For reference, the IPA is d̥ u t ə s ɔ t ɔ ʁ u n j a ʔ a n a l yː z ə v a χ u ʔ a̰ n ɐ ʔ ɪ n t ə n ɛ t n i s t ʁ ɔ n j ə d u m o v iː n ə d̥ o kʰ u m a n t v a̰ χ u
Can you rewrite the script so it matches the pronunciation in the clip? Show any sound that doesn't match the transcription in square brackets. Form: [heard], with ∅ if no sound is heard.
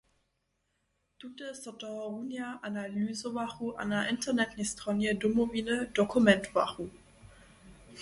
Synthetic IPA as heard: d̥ u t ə s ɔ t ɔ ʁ u n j a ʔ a n a l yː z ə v a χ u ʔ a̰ n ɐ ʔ ɪ n t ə n ɛ t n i s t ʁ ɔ n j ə d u m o v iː n ə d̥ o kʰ u m [ɛ] n t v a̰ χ u